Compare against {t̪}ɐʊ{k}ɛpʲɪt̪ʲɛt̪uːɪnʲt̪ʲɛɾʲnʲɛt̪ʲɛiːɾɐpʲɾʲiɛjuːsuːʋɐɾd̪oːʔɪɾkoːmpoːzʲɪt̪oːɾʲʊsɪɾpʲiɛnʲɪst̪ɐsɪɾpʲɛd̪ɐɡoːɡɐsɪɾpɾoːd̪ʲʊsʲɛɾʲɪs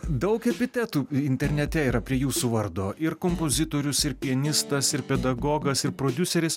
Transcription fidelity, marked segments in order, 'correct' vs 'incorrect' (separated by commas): incorrect, correct